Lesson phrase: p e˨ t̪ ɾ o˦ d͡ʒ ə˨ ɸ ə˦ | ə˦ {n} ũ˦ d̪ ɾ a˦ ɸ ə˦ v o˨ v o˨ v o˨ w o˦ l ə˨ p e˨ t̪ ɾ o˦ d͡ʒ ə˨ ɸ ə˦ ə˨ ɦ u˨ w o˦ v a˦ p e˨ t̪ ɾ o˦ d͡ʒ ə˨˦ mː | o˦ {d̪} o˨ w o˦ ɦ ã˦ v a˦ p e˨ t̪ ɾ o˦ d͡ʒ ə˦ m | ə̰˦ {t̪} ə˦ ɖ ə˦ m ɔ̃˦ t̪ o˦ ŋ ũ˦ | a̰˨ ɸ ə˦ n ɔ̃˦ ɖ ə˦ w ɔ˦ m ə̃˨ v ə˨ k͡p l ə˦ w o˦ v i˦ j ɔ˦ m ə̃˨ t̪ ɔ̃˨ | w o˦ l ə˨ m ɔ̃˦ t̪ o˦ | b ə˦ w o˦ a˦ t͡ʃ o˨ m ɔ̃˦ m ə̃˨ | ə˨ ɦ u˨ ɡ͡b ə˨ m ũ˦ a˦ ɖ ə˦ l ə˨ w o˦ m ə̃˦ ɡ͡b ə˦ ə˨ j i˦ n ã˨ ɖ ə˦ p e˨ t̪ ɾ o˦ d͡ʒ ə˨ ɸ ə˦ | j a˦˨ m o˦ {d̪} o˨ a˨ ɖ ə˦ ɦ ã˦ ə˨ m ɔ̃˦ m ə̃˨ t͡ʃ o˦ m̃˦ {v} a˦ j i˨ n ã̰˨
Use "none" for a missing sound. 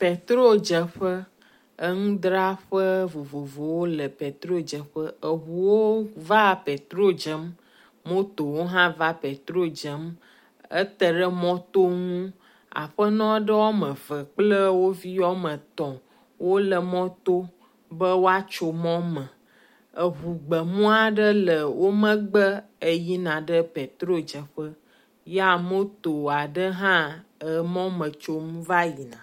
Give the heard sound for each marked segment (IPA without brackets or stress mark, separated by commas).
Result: ŋ, t̪, t̪, t̪, v